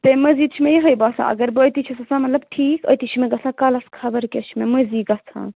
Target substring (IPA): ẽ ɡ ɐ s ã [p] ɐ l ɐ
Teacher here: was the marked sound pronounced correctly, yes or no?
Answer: no